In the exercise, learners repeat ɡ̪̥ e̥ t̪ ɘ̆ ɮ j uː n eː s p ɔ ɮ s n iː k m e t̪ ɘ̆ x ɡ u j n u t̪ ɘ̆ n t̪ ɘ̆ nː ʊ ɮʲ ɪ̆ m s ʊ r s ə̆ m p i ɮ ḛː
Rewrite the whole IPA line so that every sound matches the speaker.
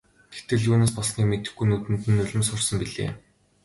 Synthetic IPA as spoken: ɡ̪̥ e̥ t̪ ɘ̆ ɮ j uː n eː s p ɔ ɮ s n iː k m e t̪ ɘ̆ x ɡ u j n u t̪ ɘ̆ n t̪ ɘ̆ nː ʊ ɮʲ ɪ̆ m s ʊ r s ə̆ m p i ɮ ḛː